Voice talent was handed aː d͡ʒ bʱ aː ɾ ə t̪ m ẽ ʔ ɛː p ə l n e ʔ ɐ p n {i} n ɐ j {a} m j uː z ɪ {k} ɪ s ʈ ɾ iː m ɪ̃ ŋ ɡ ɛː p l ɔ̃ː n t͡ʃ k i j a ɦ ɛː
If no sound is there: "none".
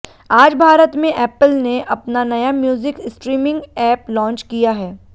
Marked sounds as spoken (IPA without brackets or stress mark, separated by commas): a, a, k